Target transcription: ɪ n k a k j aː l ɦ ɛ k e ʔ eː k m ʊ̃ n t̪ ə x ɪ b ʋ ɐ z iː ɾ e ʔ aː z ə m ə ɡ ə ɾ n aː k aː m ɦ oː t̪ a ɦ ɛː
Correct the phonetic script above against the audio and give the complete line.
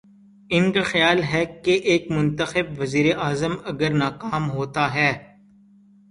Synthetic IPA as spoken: ɪ n k a x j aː l ɦ ɛ k e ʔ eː k m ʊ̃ n t̪ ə x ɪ b ʋ ɐ z iː ɾ e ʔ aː z ə m ɐ ɡ ə ɾ n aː k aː m ɦ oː t̪ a ɦ ɛː